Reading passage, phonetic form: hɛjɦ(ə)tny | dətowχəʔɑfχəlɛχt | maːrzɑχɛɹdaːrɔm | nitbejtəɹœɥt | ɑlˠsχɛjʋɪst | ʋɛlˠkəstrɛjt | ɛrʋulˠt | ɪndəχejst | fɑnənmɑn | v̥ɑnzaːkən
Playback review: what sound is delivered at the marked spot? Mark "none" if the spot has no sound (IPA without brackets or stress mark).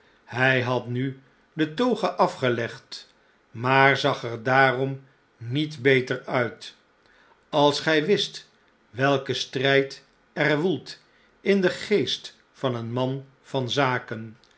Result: ɑ